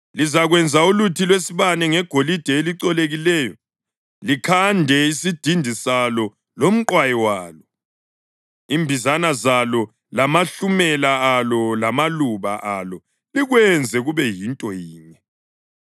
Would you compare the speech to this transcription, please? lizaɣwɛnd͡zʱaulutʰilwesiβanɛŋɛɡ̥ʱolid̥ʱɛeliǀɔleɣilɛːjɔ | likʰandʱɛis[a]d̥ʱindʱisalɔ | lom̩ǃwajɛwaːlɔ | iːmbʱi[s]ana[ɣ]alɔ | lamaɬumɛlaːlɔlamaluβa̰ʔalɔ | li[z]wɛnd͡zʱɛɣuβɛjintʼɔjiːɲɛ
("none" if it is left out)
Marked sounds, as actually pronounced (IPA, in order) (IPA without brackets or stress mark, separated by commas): i, z, z, ɣ